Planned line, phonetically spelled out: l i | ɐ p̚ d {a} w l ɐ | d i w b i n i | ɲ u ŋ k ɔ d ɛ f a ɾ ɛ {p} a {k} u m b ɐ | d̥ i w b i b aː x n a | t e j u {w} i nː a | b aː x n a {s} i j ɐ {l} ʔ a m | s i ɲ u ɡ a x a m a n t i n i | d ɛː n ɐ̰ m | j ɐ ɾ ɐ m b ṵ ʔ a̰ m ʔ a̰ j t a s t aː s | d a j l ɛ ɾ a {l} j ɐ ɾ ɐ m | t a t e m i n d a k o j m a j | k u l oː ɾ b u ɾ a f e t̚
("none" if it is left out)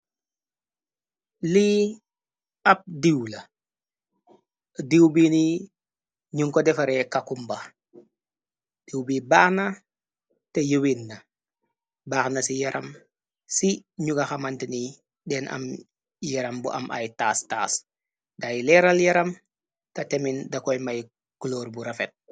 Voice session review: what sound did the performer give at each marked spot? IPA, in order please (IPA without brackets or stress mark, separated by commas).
i, k, k, w, s, ɾ, l